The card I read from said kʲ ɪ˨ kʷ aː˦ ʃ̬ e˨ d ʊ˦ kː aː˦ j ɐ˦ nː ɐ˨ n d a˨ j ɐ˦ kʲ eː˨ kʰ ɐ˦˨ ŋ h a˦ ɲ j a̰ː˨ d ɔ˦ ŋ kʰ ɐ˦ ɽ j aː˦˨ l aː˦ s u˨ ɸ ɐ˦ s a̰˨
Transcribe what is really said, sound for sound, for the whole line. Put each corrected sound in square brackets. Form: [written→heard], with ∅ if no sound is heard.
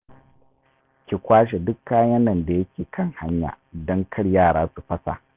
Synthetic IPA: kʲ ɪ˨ kʷ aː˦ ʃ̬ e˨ d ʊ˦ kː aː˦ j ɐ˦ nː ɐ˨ n d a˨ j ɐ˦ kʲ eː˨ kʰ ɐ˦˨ ŋ h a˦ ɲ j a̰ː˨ d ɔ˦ ŋ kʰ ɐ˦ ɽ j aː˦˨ [l→ɽ] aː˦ s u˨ ɸ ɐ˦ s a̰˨